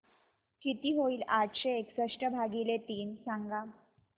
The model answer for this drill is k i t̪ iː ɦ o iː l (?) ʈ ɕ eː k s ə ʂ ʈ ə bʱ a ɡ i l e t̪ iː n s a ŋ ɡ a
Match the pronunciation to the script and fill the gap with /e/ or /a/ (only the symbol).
a